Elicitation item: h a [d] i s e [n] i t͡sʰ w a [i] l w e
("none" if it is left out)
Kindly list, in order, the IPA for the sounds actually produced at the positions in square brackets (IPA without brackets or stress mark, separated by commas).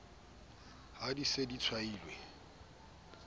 d, d, iː